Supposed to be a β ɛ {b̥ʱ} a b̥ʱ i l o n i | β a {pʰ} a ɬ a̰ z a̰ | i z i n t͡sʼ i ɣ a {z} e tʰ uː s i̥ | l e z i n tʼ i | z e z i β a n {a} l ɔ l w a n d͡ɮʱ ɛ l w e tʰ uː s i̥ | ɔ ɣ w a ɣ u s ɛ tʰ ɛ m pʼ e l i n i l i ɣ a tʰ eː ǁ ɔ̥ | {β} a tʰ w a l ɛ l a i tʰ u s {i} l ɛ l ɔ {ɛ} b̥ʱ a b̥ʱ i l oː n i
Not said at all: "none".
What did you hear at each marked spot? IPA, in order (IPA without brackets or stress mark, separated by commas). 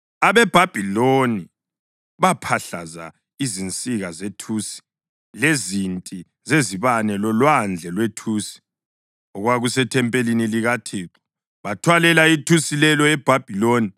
b̥ʱ, pʰ, z, ɛ, β, i, ɛ